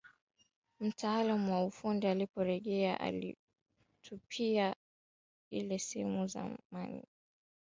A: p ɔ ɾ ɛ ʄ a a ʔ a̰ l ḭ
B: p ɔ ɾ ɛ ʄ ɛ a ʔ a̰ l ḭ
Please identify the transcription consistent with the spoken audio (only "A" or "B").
B